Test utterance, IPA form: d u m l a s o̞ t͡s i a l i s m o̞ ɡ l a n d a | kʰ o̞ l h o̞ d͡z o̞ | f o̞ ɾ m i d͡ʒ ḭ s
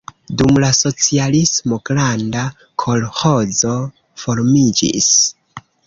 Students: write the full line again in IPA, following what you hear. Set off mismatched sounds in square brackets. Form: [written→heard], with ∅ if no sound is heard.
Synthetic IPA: d u m l a s o̞ t͡s i a l i s m o̞ ɡ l a n d a | kʰ o̞ l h o̞ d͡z o̞ | f o̞ ɾ m i d͡ʒ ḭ s